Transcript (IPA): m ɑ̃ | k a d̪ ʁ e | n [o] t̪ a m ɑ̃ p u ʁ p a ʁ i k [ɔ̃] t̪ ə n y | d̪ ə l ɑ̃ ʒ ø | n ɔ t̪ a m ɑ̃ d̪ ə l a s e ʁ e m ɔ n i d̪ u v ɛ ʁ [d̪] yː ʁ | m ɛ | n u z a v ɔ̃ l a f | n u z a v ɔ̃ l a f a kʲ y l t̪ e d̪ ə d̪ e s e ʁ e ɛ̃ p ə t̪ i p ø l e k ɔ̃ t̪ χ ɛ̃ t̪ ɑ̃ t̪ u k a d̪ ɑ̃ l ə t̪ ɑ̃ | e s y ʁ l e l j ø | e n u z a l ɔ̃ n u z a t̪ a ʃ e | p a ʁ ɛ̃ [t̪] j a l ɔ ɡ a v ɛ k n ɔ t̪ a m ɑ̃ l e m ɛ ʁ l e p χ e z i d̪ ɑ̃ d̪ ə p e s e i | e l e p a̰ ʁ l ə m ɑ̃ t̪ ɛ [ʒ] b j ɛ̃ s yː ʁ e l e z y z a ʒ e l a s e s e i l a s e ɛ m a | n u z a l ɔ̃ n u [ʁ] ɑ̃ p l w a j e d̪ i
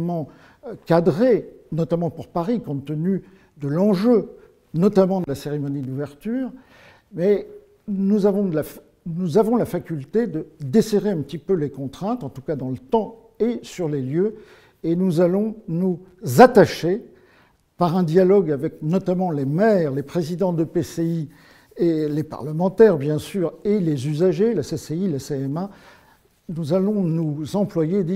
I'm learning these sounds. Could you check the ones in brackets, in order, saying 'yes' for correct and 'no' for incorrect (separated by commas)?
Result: no, yes, no, no, no, no